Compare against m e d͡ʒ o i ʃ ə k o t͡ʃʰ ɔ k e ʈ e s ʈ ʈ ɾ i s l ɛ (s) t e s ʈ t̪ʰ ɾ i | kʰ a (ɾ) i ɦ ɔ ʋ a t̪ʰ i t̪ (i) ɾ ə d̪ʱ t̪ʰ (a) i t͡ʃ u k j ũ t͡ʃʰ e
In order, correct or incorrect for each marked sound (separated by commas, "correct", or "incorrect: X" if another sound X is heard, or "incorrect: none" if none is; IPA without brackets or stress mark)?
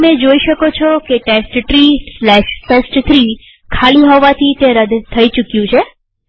incorrect: ʃ, incorrect: l, incorrect: e, incorrect: ə